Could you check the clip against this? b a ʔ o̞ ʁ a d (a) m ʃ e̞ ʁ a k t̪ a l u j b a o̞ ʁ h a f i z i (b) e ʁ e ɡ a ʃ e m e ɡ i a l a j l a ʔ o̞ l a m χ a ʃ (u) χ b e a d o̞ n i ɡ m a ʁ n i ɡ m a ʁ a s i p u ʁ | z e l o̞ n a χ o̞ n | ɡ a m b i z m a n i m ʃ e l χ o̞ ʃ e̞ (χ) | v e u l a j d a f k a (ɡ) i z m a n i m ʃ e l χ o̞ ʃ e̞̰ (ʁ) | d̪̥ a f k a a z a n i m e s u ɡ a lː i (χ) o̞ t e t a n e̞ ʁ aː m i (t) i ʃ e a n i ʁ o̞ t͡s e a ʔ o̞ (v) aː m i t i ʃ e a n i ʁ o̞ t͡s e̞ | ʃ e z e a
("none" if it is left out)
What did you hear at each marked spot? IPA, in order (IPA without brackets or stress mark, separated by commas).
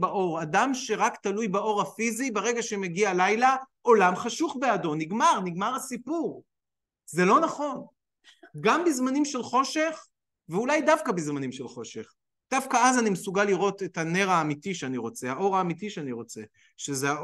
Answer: a, b, u, χ, b, χ, ʁ, t, ʁ